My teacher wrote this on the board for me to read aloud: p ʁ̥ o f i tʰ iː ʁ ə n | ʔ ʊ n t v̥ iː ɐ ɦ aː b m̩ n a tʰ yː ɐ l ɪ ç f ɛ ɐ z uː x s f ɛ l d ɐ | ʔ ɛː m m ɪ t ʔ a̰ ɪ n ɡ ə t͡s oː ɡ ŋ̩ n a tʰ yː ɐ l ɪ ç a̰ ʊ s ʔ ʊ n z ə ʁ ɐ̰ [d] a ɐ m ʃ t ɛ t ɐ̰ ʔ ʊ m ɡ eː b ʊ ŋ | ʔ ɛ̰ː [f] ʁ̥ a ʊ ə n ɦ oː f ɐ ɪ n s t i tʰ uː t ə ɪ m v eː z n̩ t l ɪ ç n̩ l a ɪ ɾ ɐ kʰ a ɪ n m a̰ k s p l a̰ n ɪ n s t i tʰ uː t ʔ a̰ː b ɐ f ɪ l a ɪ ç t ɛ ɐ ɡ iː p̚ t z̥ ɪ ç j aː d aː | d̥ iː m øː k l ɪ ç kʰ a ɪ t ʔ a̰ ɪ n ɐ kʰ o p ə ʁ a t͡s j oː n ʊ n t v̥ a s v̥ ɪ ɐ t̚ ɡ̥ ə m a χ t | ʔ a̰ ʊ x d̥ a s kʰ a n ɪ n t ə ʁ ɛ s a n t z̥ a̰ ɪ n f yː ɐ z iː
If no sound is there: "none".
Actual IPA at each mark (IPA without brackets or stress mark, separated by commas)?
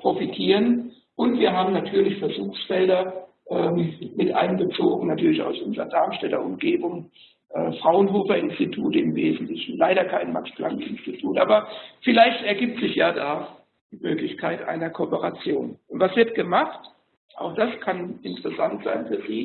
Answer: d, f